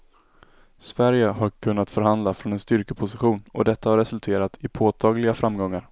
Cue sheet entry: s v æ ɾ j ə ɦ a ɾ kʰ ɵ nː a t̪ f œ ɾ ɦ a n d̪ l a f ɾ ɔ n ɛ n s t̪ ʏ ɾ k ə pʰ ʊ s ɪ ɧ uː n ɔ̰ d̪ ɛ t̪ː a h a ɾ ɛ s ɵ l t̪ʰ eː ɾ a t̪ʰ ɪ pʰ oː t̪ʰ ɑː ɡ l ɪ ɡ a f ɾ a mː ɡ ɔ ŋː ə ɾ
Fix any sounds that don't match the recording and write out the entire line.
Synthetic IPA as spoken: s v æ ɾ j ə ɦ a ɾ kʰ ɵ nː a t̪ f œ ɾ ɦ a n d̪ l a f ɾ ɔ n ɛ n s t̪ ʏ ɾ k ə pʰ ʊ s ɪ ɧ uː n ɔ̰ d̪ ɛ t̪ː a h a ɾ ɛ s ɵ l t̪ʰ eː ɾ a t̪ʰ ɪ pʰ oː t̪ʰ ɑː ɡ l ɪ ɡ a f ɾ a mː ɡ ɔ ŋː a ɾ